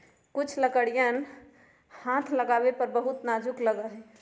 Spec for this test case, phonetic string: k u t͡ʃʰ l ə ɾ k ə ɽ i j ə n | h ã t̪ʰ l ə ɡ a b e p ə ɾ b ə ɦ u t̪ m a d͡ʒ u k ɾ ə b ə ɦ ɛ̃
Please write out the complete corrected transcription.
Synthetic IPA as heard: k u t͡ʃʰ l ə k ə ɽ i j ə n | h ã t̪ʰ l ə ɡ a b e p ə ɾ b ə ɦ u t̪ n a d͡ʒ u k l ə ɡ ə ɦ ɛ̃